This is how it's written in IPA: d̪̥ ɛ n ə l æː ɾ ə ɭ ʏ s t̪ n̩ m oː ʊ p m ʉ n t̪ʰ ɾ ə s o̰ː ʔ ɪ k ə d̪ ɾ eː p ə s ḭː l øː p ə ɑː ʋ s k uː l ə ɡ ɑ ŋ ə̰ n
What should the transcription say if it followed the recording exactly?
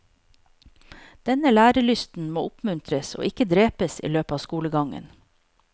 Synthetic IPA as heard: d̪̥ ɛ n ə l æː ɾ ə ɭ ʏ s t̪ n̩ m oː ʊ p m ʉ n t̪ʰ ɾ ə s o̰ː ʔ ɪ k ə d̪ ɾ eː p ə s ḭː l øː p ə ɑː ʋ s k uː l ə ɡ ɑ ŋ ə̰ n